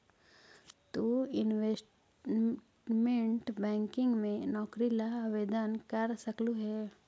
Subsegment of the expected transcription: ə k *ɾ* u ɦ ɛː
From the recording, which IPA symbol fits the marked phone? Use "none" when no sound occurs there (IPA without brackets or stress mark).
l